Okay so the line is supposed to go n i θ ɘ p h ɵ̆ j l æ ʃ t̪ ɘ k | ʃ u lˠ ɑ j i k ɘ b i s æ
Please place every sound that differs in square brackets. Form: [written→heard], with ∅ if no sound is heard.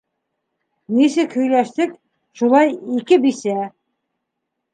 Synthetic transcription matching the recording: n i [θ→s] ɘ [p→k] h ɵ̆ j l æ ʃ t̪ ɘ k | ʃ u lˠ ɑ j i k ɘ b i s æ